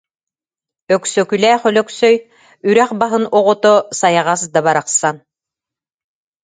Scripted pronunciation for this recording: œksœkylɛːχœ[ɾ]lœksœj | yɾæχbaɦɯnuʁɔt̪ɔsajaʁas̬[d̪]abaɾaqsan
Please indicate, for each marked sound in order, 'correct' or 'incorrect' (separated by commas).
incorrect, correct